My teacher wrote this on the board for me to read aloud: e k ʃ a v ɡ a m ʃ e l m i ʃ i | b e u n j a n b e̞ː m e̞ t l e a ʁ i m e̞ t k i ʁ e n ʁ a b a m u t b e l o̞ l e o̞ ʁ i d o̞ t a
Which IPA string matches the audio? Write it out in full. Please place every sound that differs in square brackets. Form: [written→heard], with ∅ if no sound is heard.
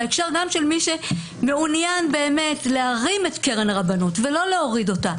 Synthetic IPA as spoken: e k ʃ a [v→ʁ] ɡ a m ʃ e l m i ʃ [i→e] | [b→m] e u n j a n b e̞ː m e̞ t l e a ʁ i m e̞ t k [i→e] ʁ e n ʁ a b a [m→n] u t [b→v] e l o̞ l e o̞ ʁ i d o̞ t a